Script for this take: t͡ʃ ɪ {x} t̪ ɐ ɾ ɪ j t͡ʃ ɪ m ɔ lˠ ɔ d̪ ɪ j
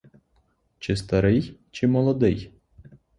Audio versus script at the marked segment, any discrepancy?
yes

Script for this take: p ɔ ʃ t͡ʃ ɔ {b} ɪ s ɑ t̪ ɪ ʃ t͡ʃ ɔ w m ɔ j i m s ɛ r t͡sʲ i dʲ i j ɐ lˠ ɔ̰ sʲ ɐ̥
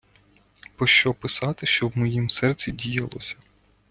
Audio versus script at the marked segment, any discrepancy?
yes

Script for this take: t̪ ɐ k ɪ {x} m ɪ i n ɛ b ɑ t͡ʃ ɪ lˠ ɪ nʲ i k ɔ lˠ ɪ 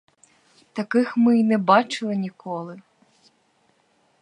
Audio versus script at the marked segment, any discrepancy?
no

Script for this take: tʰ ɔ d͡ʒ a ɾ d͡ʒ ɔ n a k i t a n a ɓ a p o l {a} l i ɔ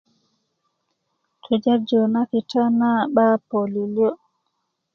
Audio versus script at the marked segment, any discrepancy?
yes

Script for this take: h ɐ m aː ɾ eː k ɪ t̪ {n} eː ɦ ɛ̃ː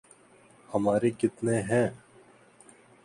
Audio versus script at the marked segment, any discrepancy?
no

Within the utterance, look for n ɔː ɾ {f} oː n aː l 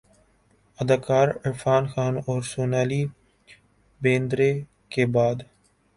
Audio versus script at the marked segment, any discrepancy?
yes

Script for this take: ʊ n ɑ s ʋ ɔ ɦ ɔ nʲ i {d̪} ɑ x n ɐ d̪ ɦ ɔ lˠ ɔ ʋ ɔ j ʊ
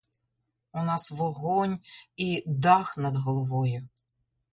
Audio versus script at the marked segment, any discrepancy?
no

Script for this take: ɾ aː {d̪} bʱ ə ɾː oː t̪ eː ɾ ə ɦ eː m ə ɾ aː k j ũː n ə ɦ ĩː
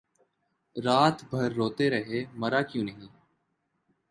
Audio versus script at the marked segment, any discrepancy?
yes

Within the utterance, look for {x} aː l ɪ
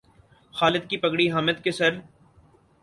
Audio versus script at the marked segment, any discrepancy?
no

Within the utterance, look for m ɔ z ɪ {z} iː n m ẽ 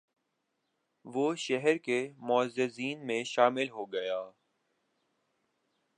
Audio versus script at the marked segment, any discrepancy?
no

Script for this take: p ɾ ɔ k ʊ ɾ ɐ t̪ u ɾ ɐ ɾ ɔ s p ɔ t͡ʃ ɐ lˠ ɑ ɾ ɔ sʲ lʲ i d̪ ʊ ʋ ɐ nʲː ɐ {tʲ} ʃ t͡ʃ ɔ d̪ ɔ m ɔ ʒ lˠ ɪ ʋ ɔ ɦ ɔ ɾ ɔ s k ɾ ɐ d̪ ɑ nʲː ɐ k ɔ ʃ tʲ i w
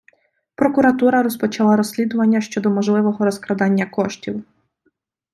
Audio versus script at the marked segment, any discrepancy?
yes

